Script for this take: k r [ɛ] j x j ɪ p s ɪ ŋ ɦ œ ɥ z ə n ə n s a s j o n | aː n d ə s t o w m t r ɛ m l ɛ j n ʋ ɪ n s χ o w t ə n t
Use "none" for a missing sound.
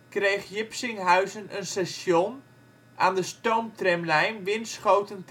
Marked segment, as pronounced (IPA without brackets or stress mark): e